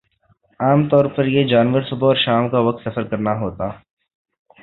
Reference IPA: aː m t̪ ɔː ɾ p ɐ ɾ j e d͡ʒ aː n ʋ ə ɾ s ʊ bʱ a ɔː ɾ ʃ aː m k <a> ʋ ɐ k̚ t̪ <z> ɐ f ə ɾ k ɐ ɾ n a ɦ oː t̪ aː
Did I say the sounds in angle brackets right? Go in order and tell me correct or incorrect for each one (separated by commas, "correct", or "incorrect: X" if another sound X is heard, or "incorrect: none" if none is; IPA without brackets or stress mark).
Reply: correct, incorrect: s